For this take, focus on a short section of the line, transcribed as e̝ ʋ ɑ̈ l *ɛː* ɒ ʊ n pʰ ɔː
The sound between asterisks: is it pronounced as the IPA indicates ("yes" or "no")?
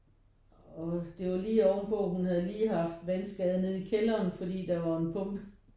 no